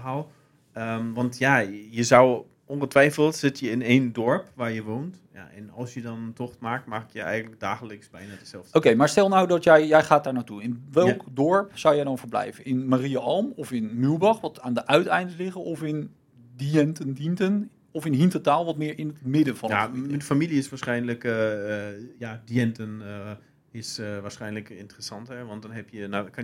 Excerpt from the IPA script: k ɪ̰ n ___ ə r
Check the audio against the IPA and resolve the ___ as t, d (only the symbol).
t